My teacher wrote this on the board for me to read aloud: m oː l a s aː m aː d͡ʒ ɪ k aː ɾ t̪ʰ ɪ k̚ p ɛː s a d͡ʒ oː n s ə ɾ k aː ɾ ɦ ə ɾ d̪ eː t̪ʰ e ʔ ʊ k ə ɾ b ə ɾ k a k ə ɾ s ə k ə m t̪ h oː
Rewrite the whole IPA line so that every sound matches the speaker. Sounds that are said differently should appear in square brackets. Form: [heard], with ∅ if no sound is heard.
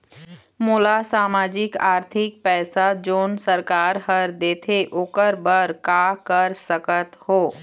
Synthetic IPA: m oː l a s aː m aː d͡ʒ ɪ k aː ɾ t̪ʰ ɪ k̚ p ɛː s a d͡ʒ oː n s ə ɾ k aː ɾ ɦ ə ɾ d̪ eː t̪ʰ e ʔ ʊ k ə ɾ b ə ɾ k a k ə ɾ s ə k ə [∅] t̪ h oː